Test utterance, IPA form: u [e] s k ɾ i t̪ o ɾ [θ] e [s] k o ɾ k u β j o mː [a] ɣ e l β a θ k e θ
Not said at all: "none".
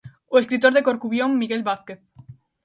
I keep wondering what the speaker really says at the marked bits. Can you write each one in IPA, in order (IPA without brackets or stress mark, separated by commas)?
e, ð, none, i